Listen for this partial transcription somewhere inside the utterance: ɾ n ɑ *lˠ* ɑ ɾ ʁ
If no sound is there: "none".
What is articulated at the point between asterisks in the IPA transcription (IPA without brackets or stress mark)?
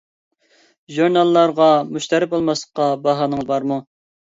lˠː